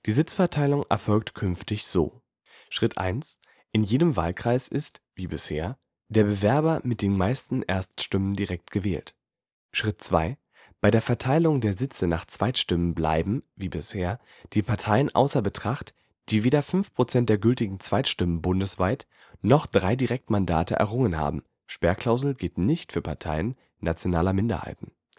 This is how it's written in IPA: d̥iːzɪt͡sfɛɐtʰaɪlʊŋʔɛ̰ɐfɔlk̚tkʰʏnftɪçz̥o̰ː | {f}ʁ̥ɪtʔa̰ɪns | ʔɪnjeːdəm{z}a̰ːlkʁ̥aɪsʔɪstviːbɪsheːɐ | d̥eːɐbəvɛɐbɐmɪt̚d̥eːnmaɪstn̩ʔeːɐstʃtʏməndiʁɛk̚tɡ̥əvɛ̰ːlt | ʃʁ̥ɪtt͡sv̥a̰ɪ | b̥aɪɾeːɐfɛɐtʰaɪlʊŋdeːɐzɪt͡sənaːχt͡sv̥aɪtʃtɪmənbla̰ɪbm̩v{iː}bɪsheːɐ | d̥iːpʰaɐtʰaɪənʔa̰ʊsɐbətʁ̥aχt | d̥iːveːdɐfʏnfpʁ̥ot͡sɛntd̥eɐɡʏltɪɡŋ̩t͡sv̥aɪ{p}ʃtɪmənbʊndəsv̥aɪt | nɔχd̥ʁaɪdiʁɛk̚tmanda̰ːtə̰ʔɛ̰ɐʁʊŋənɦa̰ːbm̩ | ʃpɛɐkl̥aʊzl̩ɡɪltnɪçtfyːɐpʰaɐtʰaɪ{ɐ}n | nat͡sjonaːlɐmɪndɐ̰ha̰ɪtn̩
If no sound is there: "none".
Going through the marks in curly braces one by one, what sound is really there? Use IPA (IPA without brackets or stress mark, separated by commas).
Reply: ʃ, v, iː, t, ə